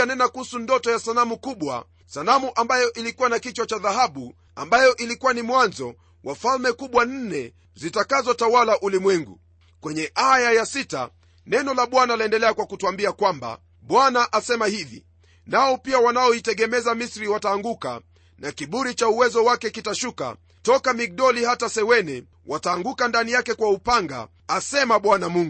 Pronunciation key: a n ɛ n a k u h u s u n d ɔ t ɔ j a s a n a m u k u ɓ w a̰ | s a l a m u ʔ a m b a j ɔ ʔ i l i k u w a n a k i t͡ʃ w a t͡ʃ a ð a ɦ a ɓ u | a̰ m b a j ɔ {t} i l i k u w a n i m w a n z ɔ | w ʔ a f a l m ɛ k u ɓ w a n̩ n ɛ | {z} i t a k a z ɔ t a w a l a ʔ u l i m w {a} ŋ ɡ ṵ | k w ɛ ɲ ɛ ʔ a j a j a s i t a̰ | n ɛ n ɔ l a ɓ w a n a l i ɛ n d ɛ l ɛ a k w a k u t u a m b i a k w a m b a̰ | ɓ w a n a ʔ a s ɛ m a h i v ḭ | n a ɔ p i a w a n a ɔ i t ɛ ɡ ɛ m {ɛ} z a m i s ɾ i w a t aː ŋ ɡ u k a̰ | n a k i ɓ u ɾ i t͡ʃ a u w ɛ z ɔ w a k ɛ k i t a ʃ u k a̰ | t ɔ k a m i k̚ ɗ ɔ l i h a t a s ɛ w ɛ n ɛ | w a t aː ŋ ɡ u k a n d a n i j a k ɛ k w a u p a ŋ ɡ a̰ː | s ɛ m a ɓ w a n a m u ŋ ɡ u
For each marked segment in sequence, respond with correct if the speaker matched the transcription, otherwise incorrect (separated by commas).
incorrect, correct, incorrect, correct